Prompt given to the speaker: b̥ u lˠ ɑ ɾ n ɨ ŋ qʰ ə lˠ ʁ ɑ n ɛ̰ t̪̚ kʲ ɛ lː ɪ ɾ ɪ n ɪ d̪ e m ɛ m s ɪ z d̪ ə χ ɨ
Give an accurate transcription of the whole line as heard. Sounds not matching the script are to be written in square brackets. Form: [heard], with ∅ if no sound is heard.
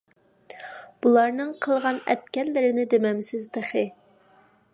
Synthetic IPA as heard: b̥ u lˠ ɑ ɾ n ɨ ŋ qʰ ə lˠ ʁ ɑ n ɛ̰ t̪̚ kʲ ɛ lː ɪ ɾ ɪ n ɪ d̪ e m ɛ m s ɪ z d̪ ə χ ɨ